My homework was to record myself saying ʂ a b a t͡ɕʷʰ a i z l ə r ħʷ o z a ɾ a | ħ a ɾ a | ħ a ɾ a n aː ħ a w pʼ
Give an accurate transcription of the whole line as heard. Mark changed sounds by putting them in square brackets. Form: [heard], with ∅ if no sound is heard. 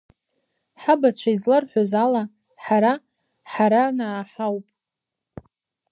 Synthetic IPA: [ħ] a b a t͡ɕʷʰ a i z l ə r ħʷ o z a [l] a | ħ a ɾ a | ħ a ɾ a n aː ħ a w pʼ